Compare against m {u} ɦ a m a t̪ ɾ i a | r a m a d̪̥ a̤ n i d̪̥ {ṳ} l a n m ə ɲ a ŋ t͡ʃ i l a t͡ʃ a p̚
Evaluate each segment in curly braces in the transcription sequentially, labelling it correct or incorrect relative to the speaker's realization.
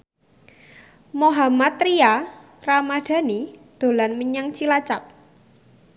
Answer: incorrect: o, incorrect: o̤

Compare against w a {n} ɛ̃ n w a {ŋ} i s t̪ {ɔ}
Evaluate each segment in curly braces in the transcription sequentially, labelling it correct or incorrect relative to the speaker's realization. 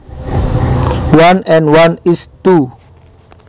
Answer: correct, incorrect: n, incorrect: u

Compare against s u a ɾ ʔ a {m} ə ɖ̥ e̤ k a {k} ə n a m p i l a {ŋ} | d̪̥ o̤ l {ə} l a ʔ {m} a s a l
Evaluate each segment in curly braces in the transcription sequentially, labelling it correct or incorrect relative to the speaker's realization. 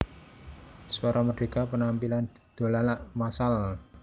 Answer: correct, incorrect: p, incorrect: n, incorrect: a, correct

